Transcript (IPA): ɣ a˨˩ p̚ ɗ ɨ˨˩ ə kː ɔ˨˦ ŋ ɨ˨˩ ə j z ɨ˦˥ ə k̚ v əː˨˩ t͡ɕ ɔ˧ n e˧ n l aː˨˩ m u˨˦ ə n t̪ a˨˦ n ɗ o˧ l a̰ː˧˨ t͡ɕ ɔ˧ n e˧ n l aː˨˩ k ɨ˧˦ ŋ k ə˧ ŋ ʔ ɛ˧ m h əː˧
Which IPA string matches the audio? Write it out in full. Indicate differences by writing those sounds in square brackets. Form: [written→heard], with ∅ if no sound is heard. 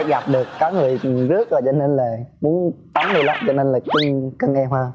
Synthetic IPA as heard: ɣ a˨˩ p̚ ɗ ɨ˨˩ ə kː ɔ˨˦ ŋ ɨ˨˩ ə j z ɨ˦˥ ə k̚ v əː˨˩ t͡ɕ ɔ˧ n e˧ n l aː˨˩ m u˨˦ ə n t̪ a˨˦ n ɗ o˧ l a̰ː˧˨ t͡ɕ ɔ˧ n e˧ n l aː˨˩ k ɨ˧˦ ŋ k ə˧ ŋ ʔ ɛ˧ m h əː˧